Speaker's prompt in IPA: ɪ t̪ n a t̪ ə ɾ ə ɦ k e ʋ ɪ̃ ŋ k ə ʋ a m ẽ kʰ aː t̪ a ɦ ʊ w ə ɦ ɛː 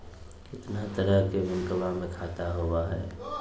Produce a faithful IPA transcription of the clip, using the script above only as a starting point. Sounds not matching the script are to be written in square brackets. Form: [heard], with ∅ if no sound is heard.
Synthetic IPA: ɪ t̪ n a t̪ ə ɾ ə ɦ k e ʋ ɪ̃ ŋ k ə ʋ a m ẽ kʰ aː t̪ a ɦ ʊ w [a] ɦ ɛː